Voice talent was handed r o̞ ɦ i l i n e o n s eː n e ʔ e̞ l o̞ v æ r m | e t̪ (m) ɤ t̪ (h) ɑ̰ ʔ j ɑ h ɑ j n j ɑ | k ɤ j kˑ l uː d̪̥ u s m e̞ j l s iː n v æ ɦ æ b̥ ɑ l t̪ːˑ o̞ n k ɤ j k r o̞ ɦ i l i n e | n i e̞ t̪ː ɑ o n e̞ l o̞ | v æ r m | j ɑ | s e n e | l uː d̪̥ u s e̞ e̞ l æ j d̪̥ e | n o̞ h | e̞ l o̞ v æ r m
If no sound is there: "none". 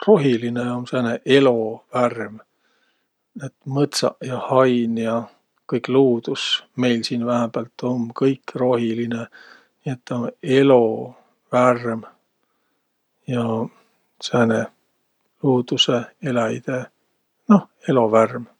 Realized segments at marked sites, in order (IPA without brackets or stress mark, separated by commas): m, s